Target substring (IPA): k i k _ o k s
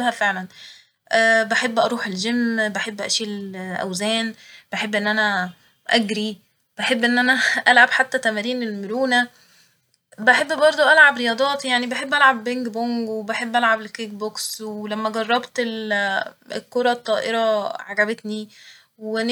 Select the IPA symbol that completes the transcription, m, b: b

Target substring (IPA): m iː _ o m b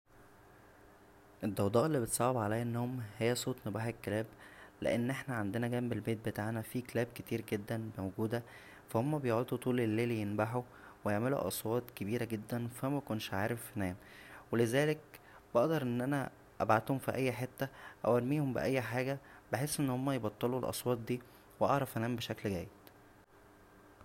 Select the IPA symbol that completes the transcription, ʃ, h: h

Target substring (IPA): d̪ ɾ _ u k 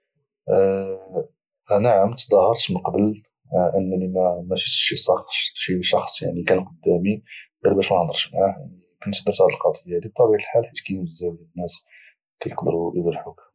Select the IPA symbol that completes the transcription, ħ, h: ħ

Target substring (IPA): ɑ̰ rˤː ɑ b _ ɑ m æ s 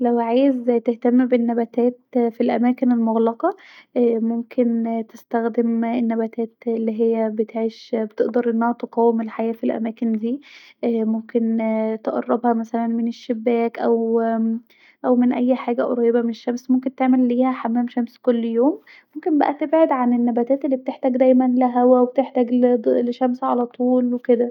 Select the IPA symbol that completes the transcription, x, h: h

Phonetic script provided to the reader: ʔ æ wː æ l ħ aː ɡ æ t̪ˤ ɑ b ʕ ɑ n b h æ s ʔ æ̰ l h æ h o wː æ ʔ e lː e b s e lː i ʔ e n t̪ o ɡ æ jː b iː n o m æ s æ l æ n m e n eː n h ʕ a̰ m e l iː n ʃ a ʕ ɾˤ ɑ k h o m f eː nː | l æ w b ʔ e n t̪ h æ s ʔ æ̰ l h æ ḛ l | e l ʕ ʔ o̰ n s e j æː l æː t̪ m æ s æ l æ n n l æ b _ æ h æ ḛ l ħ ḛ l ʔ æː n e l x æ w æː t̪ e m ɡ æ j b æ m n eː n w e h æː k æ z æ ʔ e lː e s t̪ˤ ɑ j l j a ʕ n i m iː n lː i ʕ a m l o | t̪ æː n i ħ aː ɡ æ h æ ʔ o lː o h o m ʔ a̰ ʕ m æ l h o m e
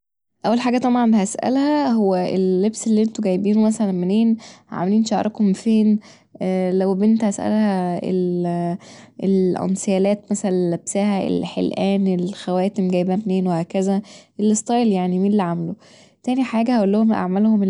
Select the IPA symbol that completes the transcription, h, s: s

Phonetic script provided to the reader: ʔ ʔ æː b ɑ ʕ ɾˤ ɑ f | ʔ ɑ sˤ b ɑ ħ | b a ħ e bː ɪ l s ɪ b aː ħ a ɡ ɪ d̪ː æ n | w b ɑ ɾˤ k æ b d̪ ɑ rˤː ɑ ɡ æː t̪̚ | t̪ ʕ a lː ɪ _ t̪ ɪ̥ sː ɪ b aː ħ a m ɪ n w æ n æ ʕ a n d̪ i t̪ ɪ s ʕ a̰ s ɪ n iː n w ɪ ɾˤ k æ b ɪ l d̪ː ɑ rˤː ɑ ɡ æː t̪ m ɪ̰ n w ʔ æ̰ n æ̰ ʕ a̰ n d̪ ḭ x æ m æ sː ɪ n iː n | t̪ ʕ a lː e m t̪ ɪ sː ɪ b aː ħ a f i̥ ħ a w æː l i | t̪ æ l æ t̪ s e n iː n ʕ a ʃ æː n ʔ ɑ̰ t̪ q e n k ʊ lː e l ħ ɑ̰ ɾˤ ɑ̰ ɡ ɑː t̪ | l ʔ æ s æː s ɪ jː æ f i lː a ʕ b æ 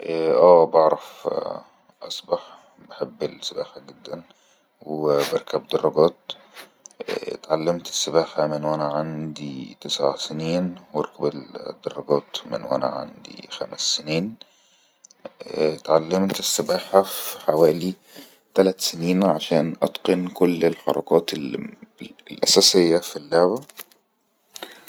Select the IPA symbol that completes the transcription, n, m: m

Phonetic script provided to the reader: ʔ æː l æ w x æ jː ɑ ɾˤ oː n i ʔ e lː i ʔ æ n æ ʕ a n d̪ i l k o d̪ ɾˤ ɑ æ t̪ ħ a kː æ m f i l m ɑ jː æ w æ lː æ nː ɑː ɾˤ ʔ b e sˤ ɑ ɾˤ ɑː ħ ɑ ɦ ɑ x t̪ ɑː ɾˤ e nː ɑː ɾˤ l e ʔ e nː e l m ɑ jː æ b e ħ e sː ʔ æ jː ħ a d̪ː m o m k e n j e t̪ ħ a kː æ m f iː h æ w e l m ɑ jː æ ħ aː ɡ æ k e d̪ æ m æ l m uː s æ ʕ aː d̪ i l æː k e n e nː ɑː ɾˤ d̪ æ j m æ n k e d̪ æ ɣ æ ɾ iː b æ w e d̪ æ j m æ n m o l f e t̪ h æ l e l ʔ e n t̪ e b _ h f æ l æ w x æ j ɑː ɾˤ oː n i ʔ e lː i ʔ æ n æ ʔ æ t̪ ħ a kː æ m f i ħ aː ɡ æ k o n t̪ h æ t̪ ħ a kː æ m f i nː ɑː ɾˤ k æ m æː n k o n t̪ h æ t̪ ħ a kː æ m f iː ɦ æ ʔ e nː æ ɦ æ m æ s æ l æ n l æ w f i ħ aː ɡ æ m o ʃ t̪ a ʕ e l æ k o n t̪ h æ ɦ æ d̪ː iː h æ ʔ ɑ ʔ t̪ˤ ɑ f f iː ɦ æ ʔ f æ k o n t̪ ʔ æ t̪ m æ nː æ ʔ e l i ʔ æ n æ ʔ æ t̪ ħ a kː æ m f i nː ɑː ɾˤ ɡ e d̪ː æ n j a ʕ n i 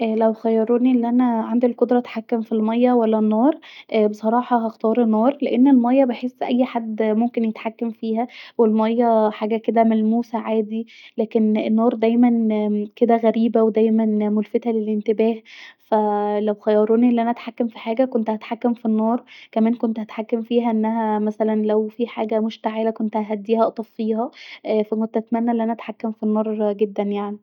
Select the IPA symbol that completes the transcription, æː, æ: æː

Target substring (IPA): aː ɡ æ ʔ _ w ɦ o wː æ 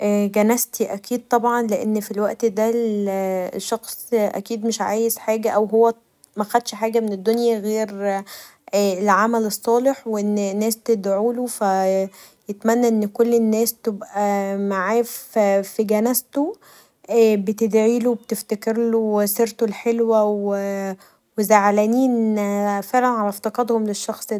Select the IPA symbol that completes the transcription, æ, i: æ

